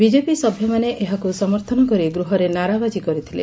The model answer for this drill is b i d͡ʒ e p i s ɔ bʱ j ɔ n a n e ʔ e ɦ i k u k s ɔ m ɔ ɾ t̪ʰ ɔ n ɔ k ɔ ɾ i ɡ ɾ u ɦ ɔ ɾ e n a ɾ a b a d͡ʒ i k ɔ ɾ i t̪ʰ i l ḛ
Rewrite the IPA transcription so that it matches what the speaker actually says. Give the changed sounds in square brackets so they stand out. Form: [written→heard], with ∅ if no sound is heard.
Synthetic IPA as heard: b i d͡ʒ e p i s ɔ bʱ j ɔ [n→m] a n e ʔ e ɦ [i→a] k u [k→∅] s ɔ m ɔ ɾ t̪ʰ ɔ n ɔ k ɔ ɾ i ɡ ɾ u ɦ ɔ ɾ e n a ɾ a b a d͡ʒ i k ɔ ɾ i t̪ʰ i l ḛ